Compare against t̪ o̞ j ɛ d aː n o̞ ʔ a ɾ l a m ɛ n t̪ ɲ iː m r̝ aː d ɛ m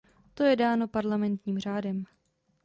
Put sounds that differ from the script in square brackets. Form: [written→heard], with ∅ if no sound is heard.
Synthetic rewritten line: t̪ o̞ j ɛ d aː n o̞ [ʔ→p] a ɾ l a m ɛ n t̪ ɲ iː m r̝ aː d ɛ m